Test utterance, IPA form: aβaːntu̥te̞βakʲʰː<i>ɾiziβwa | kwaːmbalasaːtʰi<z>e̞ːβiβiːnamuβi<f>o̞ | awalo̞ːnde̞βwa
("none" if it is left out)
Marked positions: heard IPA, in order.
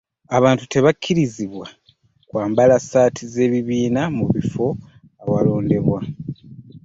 i, z, f

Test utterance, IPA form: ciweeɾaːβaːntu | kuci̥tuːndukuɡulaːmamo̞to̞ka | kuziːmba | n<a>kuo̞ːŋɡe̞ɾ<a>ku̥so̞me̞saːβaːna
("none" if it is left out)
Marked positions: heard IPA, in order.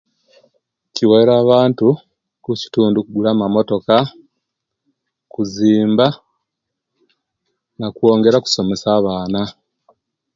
a, a

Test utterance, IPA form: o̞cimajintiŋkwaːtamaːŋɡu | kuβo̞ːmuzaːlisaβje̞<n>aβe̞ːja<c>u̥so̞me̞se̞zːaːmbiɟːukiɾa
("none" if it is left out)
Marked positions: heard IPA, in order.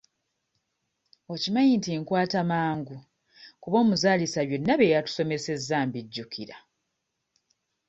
nː, t

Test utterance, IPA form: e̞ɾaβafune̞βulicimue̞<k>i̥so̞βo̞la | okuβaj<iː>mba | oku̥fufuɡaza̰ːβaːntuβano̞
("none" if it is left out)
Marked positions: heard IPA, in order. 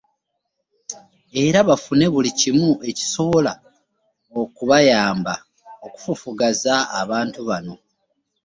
c, aː

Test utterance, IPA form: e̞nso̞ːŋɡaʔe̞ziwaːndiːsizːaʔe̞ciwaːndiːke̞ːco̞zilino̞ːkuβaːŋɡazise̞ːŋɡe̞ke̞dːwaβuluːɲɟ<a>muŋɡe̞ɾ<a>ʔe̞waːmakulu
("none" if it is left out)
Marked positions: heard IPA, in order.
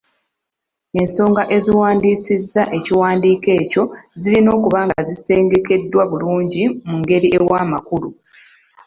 i, i

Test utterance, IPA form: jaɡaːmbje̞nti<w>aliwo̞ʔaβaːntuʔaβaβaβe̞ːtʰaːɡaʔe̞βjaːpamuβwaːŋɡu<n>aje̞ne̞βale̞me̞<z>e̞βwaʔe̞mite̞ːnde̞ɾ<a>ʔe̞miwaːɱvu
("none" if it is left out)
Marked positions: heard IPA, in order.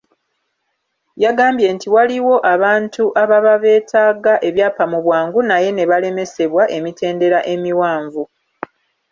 w, n, s, a

